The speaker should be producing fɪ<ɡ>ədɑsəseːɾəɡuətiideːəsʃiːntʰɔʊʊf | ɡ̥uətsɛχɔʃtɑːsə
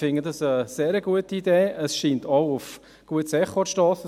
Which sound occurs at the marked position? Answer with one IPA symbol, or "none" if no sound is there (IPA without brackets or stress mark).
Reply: ŋ